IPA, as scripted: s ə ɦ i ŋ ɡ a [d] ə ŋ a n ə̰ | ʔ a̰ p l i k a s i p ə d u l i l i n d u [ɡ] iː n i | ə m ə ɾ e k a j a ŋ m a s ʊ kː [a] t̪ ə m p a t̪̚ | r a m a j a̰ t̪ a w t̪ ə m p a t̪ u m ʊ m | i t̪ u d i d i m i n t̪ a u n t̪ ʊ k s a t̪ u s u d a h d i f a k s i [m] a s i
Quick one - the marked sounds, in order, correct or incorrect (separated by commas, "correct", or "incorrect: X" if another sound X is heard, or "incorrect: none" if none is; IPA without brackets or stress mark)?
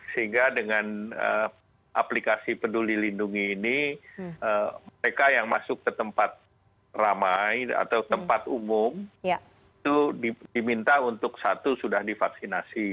correct, incorrect: ŋ, incorrect: ə, incorrect: n